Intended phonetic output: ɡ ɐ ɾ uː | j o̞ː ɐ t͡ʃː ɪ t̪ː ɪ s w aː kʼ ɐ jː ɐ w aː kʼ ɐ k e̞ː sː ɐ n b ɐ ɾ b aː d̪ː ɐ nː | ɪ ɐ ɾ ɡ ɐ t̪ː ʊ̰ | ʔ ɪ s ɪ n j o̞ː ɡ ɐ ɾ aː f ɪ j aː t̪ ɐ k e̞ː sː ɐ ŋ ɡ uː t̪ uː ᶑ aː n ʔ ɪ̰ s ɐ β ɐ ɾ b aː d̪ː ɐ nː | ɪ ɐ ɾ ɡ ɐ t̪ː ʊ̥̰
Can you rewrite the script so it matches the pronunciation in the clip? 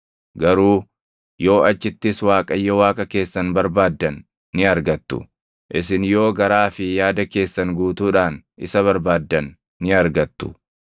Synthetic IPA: ɡ ɐ ɾ uː | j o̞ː ɐ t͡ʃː ɪ t̪ː ɪ s w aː kʼ ɐ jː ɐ w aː kʼ ɐ k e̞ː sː ɐ n b ɐ ɾ b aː d̪ː ɐ nː | ɪ ɐ ɾ ɡ ɐ t̪ː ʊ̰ | ʔ ɪ s ɪ n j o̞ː ɡ ɐ ɾ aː f ɪ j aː d̪ ɐ k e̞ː sː ɐ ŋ ɡ uː t̪ uː ᶑ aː n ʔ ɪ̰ s ɐ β ɐ ɾ b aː d̪ː ɐ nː | ɪ ɐ ɾ ɡ ɐ t̪ː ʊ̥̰